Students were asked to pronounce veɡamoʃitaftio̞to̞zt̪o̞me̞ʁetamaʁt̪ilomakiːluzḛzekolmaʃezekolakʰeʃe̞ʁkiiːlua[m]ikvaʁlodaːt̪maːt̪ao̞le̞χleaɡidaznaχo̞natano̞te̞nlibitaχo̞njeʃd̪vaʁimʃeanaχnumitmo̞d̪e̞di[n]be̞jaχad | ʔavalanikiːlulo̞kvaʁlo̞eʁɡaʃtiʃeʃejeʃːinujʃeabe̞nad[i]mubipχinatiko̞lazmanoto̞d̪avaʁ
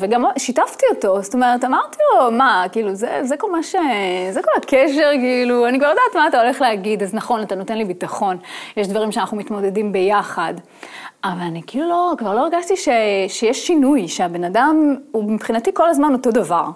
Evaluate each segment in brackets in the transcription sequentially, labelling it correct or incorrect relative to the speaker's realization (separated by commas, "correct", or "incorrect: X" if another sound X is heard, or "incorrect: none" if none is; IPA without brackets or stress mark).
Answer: incorrect: n, incorrect: m, incorrect: a